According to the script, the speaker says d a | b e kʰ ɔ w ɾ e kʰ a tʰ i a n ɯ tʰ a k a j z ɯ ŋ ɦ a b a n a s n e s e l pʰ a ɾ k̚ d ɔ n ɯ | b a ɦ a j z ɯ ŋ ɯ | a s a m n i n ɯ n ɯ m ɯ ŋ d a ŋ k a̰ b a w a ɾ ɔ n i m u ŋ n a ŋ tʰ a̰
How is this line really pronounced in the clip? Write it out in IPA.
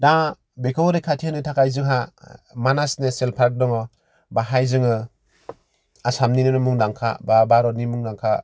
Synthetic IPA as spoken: d a | b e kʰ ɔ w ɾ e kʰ a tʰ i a n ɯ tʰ a k a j z ɯ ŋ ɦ a m a n a s n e s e l pʰ a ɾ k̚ d ɔ ŋ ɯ | b a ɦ a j z ɯ ŋ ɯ | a s a m n i n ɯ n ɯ m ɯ ŋ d a ŋ kʰ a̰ b a b a ɾ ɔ n i m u ŋ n a ŋ kʰ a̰